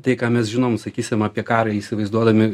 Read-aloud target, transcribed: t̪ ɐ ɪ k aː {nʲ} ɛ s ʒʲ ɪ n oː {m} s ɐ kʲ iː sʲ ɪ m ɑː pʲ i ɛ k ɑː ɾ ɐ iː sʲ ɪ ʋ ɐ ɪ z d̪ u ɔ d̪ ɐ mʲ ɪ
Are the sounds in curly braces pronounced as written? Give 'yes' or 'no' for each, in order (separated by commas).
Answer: no, yes